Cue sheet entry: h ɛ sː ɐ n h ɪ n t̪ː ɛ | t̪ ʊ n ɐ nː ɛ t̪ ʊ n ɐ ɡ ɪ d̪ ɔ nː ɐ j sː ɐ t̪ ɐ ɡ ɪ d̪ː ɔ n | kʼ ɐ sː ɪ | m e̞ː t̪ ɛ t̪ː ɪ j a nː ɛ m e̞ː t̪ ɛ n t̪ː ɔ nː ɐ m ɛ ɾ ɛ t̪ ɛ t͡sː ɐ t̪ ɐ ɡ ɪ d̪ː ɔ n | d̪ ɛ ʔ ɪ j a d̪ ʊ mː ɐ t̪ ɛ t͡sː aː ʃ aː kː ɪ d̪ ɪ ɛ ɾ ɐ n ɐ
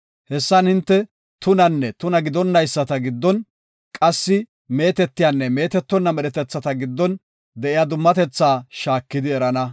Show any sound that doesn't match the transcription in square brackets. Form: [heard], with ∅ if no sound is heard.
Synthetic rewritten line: h ɛ sː ɐ n h ɪ n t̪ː ɛ | t̪ ʊ n ɐ nː ɛ t̪ ʊ n ɐ ɡ ɪ d̪ ɔ nː ɐ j sː ɐ t̪ ɐ ɡ ɪ d̪ː ɔ n | kʼ ɐ sː ɪ | m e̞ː t̪ ɛ t̪ː ɪ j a nː ɛ m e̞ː t̪ ɛ [∅] t̪ː ɔ nː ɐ m ɛ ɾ ɛ t̪ ɛ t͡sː ɐ t̪ ɐ ɡ ɪ d̪ː ɔ n | d̪ ɛ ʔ ɪ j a d̪ ʊ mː ɐ t̪ ɛ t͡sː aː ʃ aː kː ɪ d̪ ɪ ɛ ɾ ɐ n ɐ